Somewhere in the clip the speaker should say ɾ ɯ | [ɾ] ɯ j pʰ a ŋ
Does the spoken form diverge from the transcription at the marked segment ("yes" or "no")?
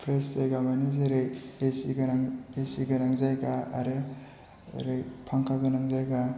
no